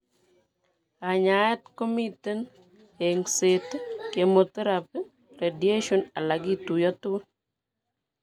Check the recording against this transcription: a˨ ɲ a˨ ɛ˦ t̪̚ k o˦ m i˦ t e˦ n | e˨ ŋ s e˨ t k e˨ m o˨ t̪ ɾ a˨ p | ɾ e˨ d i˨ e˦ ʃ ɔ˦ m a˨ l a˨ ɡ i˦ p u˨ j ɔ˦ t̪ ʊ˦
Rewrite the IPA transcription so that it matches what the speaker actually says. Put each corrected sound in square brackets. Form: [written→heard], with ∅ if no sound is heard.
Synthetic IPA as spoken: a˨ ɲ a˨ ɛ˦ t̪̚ k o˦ m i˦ t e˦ n | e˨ ŋ s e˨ t k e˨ m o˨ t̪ ɾ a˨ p | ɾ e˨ d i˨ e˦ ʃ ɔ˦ [m→n] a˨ l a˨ ɡ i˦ [p→t] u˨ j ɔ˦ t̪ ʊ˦